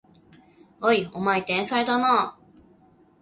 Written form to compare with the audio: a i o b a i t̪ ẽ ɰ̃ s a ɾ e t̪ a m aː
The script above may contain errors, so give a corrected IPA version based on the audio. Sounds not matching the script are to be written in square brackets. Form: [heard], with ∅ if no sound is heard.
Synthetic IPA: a i o [m] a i t̪ ẽ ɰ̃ s a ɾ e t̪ a [n] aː